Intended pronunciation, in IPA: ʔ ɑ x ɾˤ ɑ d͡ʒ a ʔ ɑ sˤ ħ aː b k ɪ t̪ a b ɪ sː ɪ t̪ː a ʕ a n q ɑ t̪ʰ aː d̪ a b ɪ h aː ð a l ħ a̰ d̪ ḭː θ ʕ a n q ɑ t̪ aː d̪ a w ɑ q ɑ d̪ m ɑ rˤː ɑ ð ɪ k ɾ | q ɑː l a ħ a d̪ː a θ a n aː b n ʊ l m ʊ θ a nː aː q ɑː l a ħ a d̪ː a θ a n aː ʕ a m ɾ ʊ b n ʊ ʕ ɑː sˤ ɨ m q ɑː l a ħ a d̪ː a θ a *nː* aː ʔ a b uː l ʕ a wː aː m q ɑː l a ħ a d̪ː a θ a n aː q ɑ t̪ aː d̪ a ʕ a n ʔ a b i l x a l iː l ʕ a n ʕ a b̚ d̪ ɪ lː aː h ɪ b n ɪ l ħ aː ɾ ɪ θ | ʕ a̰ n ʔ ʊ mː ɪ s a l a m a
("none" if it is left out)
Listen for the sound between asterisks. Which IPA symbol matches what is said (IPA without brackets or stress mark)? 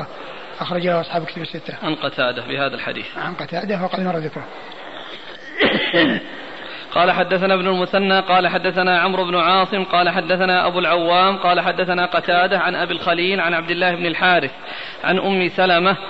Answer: n